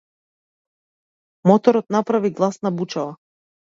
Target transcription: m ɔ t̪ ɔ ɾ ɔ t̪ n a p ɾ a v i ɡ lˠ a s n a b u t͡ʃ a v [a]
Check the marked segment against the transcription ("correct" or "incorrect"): correct